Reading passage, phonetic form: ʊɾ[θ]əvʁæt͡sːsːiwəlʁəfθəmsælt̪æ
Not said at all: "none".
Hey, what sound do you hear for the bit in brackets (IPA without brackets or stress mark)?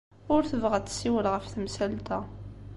θ